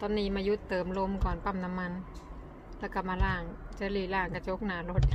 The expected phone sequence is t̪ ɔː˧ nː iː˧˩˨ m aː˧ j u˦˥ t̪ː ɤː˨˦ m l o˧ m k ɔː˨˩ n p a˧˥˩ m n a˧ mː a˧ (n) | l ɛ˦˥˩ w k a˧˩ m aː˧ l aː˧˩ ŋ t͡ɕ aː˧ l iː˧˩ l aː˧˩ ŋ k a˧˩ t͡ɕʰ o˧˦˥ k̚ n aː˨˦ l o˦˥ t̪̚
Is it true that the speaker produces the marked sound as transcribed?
yes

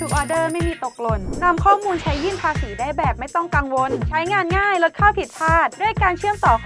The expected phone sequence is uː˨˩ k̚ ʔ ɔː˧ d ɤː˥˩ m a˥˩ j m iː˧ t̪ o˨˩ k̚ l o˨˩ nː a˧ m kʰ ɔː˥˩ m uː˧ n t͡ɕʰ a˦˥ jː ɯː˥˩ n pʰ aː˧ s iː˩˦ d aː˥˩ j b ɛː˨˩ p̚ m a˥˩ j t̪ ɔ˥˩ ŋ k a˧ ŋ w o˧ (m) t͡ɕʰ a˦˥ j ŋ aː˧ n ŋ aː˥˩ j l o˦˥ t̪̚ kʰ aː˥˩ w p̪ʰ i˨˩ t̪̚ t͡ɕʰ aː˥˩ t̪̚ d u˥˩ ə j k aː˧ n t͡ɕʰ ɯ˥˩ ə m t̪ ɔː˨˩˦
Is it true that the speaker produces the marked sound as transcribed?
no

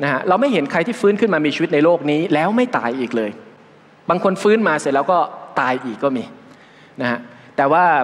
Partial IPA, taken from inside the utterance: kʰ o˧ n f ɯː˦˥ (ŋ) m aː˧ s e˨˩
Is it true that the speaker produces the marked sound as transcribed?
no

